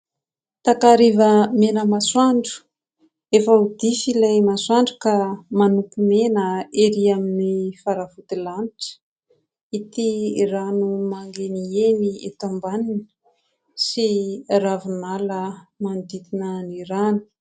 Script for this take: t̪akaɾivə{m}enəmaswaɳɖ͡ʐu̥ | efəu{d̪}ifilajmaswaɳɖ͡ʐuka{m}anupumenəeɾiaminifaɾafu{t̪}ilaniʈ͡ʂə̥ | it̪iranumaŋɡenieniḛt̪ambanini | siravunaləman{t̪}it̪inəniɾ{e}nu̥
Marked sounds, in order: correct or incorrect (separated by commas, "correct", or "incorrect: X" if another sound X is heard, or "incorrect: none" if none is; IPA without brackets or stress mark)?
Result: correct, correct, correct, correct, incorrect: d̪, incorrect: a